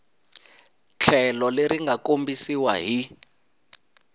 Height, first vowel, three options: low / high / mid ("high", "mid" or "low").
mid